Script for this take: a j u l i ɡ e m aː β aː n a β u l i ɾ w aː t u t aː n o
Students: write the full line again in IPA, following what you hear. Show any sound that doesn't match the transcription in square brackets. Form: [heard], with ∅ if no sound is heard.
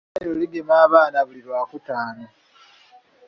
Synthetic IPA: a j [o] l i ɡ e m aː β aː n a β u l i ɾ w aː [k] u t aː n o